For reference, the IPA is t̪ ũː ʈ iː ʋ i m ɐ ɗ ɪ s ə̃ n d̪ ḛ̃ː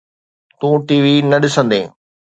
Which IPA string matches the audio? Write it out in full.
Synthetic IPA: t̪ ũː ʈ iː ʋ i n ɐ ɗ ɪ s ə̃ n d̪ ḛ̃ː

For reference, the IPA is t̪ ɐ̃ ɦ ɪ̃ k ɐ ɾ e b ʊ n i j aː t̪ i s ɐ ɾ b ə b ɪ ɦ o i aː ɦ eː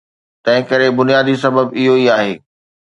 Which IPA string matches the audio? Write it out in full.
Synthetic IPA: t̪ ɐ̃ ɦ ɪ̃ k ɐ ɾ e b ʊ n i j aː d̪ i s ɐ b ə b ɪ ɦ o i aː ɦ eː

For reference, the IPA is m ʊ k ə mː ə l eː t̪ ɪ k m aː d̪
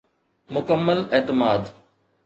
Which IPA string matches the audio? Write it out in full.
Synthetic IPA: m ʊ k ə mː ə l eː t̪ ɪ m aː d̪

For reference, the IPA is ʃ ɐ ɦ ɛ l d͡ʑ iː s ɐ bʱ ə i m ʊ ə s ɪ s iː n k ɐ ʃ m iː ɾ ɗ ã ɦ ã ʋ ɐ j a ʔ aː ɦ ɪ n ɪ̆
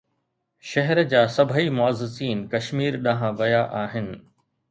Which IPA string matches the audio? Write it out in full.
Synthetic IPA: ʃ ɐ ɦ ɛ ɾ d͡ʑ aː s ɐ bʱ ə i m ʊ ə z ɪ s iː n k ɐ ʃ m iː ɾ ɗ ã ɦ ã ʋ ɐ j a ʔ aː ɦ ɪ n ɪ̆

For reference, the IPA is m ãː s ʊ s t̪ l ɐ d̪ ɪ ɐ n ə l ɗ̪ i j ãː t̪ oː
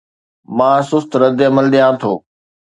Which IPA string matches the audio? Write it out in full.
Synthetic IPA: m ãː s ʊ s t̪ ɾ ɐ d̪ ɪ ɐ m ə l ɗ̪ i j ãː t̪ʰ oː

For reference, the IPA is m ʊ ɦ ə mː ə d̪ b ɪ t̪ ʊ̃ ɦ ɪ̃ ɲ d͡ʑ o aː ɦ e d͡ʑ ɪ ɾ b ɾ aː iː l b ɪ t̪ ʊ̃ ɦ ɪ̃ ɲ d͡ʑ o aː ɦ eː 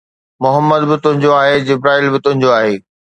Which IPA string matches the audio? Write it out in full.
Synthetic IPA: m ʊ ɦ ə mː ə d̪ b ɪ t̪ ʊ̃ ɦ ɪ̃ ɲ d͡ʑ o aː ɦ e d͡ʑ ɪ b ɾ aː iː l b ɪ t̪ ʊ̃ ɦ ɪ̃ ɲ d͡ʑ o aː ɦ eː

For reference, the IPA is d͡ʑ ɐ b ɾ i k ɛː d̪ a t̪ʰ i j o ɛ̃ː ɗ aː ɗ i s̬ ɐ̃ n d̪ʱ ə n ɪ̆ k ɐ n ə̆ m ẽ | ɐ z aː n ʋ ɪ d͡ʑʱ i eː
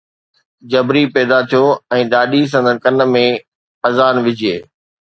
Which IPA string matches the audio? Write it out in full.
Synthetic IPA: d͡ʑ ɐ b ɾ i p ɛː d̪ a t̪ʰ i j o ɛ̃ː ɗ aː ɗ i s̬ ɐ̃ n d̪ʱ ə n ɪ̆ k ɐ n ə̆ m ẽ | ɐ z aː n ʋ ɪ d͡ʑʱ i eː

